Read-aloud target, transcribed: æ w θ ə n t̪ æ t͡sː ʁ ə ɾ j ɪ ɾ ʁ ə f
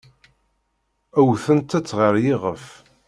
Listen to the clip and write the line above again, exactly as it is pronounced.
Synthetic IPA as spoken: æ w θ ə n t̪ æ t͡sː ʁ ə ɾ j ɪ ʁ ə f